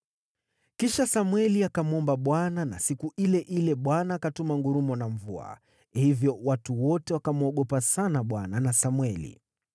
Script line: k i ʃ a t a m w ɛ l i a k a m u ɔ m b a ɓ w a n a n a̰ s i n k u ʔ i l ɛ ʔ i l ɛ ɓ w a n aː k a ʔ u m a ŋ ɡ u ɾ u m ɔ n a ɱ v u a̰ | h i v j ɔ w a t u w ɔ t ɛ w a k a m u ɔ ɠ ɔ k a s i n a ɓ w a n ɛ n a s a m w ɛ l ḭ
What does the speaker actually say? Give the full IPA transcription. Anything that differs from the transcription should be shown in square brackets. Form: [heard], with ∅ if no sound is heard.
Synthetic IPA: k i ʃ a [s] a m w ɛ l i a k a m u ɔ m b a ɓ w a n a n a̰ s i [∅] k u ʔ i l ɛ ʔ i l ɛ ɓ w a n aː k a [t] u m a ŋ ɡ u ɾ u m ɔ n a ɱ v u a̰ | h i v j ɔ w a t u w ɔ t ɛ w a k a m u ɔ ɠ ɔ [p] a s [a] n a ɓ w a n [a] n a s a m w ɛ l ḭ